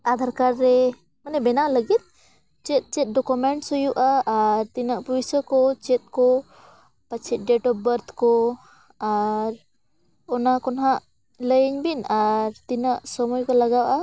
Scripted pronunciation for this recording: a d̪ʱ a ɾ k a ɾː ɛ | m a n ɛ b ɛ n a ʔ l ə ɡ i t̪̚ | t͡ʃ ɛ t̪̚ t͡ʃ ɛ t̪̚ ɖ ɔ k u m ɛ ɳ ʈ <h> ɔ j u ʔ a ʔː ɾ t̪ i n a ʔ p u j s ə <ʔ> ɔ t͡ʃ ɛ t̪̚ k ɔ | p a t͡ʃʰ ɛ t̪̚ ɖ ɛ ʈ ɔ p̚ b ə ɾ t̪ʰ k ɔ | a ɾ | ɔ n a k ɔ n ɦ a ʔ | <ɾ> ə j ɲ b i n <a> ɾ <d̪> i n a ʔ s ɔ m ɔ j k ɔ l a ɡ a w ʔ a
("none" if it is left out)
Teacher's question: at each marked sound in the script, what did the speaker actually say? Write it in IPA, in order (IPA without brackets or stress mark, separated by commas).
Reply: s, k, l, a, t̪